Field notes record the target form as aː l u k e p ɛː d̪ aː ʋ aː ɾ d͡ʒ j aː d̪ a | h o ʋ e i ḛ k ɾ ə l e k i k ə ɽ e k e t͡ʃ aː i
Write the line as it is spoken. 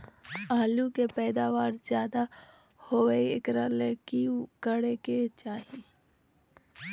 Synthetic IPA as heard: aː l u k e p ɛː d̪ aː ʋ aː ɾ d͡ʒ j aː d̪ a | h o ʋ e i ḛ k ɾ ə l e k i k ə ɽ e k e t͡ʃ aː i